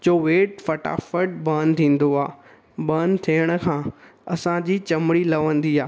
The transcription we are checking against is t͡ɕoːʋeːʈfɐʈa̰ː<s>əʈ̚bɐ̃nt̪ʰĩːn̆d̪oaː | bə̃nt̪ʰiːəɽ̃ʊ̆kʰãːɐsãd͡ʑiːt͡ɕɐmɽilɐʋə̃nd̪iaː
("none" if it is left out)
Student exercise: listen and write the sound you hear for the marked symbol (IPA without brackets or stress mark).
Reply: f